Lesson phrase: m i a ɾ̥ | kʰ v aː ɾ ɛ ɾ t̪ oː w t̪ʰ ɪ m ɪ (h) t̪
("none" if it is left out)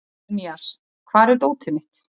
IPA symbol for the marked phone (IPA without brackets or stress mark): h